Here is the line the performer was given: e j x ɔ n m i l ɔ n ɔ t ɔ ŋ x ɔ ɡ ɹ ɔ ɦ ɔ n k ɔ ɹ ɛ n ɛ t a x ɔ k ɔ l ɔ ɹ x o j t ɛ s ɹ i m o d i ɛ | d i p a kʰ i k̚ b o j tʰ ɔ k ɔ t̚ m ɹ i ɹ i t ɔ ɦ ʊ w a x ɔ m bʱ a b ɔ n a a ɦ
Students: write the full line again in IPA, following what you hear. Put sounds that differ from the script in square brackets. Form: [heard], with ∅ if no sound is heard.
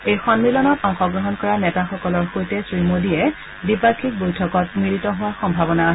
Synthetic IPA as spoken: e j x ɔ n m i l ɔ n ɔ t ɔ ŋ x ɔ ɡ ɹ ɔ ɦ ɔ n k ɔ ɹ [a] n ɛ t a x ɔ k ɔ l ɔ ɹ x o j t ɛ s ɹ i m o d i ɛ | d i p a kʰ i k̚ b o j tʰ ɔ k ɔ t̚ m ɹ i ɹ i t ɔ ɦ ʊ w a x ɔ m bʱ a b ɔ n a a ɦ